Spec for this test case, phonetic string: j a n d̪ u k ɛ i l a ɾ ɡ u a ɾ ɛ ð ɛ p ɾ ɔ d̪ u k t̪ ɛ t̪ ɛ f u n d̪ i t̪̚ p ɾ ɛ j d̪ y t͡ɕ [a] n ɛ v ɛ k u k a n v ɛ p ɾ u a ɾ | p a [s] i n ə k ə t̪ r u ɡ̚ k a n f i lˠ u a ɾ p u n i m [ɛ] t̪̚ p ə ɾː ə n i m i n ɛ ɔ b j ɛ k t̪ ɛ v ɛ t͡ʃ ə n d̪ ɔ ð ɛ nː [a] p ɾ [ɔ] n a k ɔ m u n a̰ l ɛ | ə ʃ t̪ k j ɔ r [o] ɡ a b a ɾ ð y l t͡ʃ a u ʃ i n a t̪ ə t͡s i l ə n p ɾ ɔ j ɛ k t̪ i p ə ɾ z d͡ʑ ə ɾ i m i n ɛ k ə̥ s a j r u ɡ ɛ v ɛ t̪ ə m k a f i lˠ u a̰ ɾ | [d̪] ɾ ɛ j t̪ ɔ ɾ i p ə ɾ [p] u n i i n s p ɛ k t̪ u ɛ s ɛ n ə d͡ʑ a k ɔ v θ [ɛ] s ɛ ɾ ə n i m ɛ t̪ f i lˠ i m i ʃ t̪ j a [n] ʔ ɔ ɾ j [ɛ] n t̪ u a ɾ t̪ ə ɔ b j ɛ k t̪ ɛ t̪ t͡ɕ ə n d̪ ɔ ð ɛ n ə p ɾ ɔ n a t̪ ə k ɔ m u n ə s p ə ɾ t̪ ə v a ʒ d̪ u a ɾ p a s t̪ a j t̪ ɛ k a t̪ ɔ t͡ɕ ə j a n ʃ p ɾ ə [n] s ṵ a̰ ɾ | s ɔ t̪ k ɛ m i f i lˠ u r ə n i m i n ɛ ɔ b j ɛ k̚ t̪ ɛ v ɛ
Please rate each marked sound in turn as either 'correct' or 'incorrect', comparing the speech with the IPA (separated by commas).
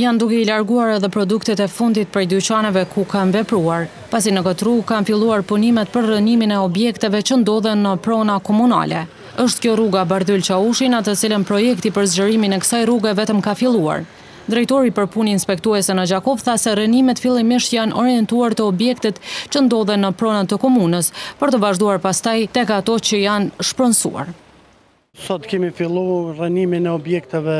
correct, correct, correct, incorrect, correct, incorrect, correct, correct, incorrect, correct, correct, correct